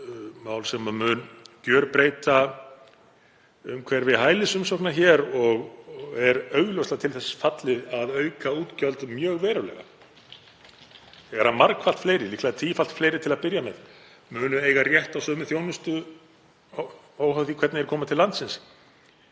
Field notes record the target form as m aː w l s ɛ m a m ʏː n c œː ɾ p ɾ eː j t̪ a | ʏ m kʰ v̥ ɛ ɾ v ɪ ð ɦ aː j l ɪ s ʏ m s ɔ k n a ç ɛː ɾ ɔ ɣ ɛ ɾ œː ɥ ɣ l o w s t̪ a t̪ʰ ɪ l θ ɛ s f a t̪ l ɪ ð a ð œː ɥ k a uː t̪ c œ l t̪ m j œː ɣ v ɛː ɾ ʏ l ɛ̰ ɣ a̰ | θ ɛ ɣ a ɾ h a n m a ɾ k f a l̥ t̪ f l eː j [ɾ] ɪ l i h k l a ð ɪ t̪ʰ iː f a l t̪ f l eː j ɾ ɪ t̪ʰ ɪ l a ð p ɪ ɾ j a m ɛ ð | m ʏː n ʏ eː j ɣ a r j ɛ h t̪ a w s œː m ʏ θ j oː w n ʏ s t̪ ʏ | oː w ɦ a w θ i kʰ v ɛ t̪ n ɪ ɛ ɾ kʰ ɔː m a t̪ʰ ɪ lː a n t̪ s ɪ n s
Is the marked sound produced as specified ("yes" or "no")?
yes